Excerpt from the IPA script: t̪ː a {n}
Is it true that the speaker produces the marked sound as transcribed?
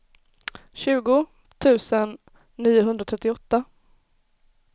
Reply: no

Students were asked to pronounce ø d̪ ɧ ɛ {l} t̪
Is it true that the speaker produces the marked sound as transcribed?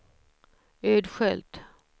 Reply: yes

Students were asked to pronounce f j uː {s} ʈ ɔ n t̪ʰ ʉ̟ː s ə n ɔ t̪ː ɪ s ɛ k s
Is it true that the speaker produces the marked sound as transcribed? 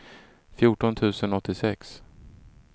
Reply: no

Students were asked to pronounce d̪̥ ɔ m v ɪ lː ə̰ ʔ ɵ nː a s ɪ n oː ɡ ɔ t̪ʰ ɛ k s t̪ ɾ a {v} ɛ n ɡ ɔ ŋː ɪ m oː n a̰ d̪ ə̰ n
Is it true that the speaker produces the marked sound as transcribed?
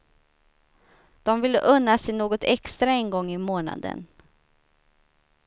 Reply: no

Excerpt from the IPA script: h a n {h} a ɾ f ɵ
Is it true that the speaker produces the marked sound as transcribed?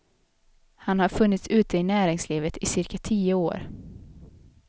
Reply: yes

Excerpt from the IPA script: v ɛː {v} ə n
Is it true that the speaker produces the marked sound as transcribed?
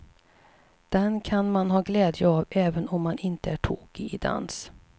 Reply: yes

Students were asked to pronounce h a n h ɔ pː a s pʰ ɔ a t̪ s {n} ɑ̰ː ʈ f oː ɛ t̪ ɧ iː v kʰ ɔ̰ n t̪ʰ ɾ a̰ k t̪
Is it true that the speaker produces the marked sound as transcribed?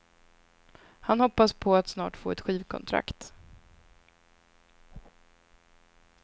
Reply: yes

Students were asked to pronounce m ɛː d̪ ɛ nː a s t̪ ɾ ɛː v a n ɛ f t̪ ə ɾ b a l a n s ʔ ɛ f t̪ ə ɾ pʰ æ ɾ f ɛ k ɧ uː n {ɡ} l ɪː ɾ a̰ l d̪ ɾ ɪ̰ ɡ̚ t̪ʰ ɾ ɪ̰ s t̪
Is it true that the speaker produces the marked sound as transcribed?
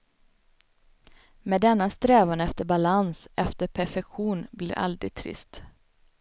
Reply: no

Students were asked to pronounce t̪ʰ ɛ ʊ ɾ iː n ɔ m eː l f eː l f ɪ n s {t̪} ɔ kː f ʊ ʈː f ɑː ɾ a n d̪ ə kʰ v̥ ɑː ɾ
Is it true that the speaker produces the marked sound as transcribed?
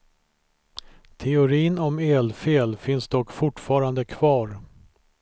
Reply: no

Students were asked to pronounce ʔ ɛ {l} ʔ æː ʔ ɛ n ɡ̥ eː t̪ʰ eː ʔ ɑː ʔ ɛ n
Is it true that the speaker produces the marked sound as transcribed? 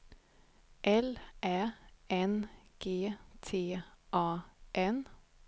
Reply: yes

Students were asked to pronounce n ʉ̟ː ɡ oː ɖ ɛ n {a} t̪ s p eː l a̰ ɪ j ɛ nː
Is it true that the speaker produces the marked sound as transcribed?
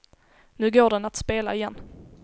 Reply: yes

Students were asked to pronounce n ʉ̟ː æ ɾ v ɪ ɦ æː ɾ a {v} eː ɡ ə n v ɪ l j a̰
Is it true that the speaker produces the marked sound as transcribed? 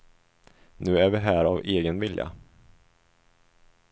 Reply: yes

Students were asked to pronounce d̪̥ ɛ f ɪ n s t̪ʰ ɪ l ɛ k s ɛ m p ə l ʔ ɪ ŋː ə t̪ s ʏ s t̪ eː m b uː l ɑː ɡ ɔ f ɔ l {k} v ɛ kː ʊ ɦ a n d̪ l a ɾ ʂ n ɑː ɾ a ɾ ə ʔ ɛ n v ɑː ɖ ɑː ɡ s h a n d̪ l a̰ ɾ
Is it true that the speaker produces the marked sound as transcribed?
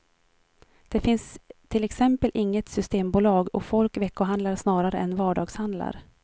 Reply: yes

